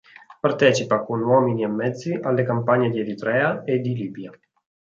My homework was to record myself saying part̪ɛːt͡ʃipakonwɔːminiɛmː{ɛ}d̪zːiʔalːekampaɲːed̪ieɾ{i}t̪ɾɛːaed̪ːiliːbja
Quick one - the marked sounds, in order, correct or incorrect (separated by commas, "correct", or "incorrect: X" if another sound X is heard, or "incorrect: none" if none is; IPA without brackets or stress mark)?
correct, correct